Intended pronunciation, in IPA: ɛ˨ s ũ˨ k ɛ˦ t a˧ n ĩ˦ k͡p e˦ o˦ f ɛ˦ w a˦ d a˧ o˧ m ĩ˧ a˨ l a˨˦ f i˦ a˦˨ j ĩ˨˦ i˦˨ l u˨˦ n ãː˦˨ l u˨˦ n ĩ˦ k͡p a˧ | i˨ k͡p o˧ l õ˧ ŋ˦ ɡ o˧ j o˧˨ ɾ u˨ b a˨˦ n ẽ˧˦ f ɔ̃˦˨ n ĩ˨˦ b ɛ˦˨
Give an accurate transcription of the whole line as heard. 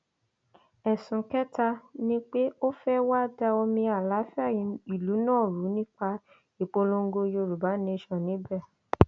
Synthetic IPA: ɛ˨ s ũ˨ k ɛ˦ t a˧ n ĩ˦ k͡p e˦ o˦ f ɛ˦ w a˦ d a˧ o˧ m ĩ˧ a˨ l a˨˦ f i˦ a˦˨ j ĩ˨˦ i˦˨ l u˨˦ n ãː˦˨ ɾ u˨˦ n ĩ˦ k͡p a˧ | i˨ k͡p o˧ l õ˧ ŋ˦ ɡ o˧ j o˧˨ ɾ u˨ b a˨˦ n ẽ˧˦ ʃ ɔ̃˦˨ n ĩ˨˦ b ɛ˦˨